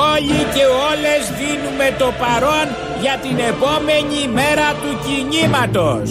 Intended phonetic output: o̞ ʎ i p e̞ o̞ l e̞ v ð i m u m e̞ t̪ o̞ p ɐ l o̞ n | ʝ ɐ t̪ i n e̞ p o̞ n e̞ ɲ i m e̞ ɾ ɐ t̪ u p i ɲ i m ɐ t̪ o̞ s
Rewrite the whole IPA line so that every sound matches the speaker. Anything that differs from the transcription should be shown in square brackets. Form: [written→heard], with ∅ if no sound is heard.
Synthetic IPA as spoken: o̞ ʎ i [p→c] e̞ o̞ l e̞ [v→z] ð i [m→n] u m e̞ t̪ o̞ p ɐ [l→ɾ] o̞ n | ʝ ɐ t̪ i n e̞ p o̞ [n→m] e̞ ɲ i m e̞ ɾ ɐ t̪ u [p→c] i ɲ i m ɐ t̪ o̞ s